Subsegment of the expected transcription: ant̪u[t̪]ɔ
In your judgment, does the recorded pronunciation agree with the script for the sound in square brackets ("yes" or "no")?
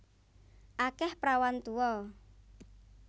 no